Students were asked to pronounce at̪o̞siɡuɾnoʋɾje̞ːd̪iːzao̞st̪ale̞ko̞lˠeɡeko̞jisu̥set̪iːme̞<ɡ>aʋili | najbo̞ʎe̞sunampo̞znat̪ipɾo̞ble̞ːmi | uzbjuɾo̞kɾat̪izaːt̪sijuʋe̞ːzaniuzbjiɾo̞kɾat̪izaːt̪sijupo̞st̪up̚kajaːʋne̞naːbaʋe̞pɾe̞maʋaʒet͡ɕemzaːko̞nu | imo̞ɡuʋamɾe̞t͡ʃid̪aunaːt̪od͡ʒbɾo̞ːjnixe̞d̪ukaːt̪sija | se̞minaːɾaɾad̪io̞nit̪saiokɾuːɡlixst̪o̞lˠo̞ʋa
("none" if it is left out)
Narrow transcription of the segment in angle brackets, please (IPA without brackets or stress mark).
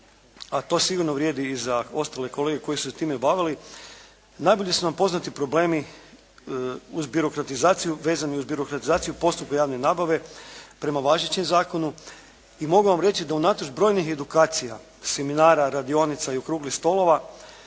b